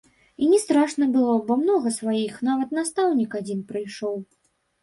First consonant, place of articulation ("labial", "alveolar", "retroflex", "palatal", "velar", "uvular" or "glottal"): alveolar